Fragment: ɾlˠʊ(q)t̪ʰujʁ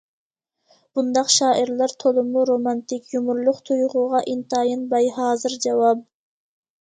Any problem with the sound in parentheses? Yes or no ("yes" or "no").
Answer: no